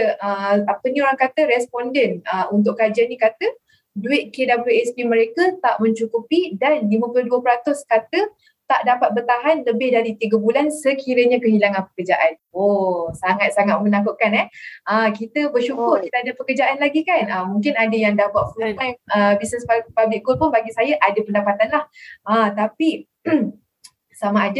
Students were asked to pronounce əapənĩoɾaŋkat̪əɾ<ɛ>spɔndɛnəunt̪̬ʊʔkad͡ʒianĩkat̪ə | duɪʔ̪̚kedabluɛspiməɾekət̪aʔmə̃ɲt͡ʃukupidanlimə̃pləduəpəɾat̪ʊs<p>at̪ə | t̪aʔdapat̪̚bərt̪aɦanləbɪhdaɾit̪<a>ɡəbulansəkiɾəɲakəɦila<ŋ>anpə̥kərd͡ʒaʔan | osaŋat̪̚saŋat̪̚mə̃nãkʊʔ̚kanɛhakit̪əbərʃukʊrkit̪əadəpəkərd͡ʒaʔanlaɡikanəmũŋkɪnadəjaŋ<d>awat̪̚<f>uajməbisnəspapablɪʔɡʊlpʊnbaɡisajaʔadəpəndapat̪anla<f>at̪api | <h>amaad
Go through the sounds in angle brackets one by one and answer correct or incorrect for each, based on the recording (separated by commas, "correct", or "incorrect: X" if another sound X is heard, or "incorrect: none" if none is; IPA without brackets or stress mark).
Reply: correct, incorrect: k, incorrect: i, correct, correct, correct, incorrect: h, incorrect: s